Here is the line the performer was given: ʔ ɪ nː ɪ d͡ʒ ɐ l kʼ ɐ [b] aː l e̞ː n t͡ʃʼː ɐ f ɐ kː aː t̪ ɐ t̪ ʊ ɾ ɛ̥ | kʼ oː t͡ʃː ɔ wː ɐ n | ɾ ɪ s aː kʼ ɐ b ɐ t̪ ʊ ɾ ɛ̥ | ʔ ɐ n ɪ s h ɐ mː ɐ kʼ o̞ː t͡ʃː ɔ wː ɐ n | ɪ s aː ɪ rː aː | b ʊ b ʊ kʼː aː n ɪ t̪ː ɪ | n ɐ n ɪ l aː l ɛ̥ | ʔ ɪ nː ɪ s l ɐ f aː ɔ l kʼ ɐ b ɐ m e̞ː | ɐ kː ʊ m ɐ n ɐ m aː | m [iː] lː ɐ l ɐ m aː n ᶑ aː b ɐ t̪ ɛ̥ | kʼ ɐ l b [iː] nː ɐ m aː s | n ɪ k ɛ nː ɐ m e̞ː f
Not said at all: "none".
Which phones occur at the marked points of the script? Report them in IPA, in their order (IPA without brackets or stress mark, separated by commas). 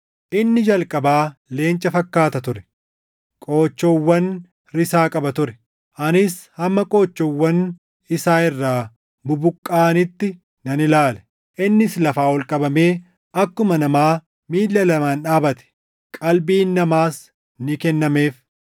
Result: b, iː, iː